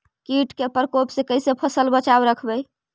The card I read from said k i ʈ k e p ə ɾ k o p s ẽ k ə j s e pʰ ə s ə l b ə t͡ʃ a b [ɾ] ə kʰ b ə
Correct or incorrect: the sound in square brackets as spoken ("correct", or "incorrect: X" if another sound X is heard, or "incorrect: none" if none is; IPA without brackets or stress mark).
correct